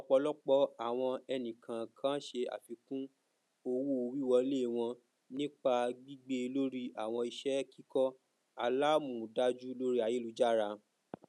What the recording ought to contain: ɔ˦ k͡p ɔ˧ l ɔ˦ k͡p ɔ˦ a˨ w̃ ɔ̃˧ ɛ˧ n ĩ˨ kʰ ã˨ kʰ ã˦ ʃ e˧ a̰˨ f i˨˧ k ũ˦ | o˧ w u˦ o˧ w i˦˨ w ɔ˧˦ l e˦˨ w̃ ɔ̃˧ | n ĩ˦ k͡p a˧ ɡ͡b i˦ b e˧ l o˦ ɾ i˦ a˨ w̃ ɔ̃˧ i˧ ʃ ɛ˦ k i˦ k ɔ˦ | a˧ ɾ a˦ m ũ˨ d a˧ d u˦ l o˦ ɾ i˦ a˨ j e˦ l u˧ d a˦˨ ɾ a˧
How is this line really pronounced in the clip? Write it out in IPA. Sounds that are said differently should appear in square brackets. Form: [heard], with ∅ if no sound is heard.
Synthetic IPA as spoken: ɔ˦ k͡p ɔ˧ l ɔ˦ k͡p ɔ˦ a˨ w̃ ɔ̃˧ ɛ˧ n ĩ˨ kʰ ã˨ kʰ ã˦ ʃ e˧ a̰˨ f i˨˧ k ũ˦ | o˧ w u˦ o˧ w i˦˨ w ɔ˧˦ l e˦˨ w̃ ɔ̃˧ | n ĩ˦ k͡p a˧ ɡ͡b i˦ [ɡ͡b] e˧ l o˦ ɾ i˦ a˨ w̃ ɔ̃˧ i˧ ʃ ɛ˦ k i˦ k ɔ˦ | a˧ [l] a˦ m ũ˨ d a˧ [d͡ʒ] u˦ l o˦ ɾ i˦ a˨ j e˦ l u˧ [d͡ʒ] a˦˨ ɾ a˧